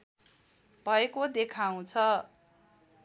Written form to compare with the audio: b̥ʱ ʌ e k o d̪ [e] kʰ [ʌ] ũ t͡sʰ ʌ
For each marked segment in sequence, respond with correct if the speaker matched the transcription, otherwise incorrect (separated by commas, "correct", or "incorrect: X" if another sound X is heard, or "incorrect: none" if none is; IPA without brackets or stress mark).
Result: correct, incorrect: a